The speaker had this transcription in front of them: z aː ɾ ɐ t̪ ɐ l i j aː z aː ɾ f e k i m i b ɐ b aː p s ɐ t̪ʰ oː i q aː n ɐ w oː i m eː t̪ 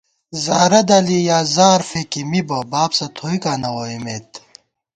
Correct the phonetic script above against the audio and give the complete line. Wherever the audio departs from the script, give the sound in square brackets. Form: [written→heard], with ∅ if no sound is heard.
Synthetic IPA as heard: z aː ɾ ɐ [t̪→d̪] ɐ l i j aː z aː ɾ f e k i m i b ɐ b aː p s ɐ t̪ʰ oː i [q→k] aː n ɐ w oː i m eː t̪